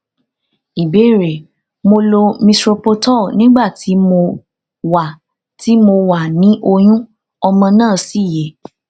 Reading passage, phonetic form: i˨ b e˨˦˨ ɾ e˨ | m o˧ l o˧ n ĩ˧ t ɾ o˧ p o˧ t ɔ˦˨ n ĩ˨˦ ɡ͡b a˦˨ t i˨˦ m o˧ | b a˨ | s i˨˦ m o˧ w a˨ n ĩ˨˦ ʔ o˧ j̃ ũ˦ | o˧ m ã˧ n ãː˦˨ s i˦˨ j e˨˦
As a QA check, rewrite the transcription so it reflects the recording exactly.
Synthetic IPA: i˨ b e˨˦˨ ɾ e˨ | m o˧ l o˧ m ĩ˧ t ɾ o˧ p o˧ t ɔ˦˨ n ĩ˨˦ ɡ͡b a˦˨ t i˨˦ m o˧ | w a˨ | t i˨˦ m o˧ w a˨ n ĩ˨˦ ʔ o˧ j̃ ũ˦ | ɔ˧ m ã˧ n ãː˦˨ s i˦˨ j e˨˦